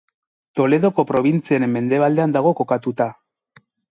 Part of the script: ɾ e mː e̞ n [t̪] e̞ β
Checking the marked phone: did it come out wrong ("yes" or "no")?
yes